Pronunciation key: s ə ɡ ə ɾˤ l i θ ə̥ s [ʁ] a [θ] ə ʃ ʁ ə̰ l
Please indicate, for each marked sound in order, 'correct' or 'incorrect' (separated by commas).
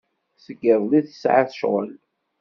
incorrect, correct